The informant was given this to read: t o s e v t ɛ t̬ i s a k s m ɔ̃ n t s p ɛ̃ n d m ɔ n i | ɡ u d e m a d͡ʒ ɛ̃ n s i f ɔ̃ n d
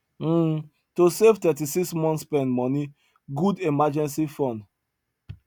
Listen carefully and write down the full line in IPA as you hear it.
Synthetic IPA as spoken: t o s e v t ɛ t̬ i s i k s m ɔ̃ n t s p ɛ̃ n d m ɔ n i | ɡ u d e m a d͡ʒ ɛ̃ n s i f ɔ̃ n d

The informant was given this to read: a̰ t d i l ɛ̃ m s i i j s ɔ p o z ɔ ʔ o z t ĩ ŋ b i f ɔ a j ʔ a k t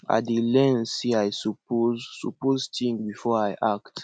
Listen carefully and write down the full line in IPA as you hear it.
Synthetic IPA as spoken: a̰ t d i l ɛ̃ n s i a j s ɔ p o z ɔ p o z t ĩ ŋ b i f ɔ a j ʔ a k t

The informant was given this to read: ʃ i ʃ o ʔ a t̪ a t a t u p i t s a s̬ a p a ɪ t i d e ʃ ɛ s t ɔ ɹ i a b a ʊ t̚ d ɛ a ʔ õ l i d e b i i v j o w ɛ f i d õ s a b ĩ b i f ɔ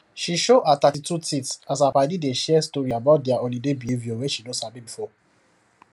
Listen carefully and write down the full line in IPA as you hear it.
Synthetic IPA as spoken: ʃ i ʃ o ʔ a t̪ a t i t u t i t s a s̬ a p a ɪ d i d e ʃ ɛ s t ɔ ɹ i a b a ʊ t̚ d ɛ a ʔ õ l i d e b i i v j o w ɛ ʃ i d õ s a b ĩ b i f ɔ

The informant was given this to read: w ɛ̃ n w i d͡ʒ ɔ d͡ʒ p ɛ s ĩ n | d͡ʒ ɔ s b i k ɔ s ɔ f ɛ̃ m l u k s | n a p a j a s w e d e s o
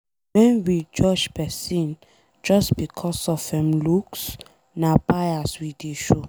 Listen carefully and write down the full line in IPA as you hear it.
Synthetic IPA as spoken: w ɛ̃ n w i d͡ʒ ɔ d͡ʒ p ɛ s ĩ n | d͡ʒ ɔ s b i kʰ ɔ s ɔ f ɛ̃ m l u k s | n a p a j a s w i d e ʃ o

